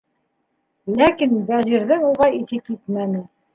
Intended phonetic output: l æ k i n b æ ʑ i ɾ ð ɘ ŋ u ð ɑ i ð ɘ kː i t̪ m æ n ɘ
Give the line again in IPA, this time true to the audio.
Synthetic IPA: l æ k i n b æ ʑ i ɾ ð ɘ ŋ u ʁ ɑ i θ ɘ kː i t̪ m æ n ɘ

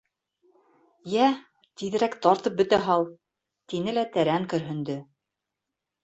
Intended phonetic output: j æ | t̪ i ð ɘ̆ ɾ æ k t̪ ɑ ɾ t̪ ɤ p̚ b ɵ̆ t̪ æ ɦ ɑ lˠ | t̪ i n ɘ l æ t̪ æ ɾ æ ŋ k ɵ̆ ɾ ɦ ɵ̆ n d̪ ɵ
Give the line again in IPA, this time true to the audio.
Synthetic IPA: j æ | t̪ i ð ɘ̆ ɾ æ k t̪ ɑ ɾ t̪ ɤ p̚ b ɵ̆ t̪ æ ɦ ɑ lˠ | t̪ i n ɘ l æ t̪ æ ɾ æ ŋ k ɵ̆ ɾ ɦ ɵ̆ n d̪ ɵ

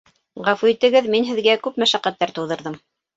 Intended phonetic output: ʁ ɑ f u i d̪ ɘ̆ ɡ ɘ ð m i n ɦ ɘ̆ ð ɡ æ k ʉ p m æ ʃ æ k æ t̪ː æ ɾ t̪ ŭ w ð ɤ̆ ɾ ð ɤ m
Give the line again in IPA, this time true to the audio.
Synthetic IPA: ʁ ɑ f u i t̪ ɘ̆ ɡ ɘ ð m i n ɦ ɘ̆ ð ɡ æ k ʉ p m æ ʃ æ q æ t̪ː æ ɾ t̪ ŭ w ð ɤ̆ ɾ ð ɤ m

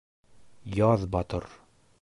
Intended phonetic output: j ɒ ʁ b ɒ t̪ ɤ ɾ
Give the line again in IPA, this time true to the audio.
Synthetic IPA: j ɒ ð b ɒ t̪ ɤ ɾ

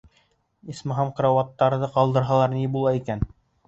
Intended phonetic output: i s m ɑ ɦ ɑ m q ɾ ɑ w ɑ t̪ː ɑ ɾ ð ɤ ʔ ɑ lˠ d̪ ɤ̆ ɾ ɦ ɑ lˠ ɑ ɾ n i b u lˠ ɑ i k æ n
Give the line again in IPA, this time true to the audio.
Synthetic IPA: i s m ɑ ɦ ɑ m q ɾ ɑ w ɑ t̪ː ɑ ɾ ð ɤ q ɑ lˠ d̪ ɤ̆ ɾ ɦ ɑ lˠ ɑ ɾ n i b u lˠ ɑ i k æ n

